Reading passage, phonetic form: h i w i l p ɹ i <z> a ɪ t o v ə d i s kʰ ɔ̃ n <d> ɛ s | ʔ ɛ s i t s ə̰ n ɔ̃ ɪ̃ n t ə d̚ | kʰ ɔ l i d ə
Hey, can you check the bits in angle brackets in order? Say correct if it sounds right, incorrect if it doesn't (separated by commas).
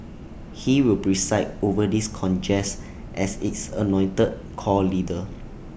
incorrect, incorrect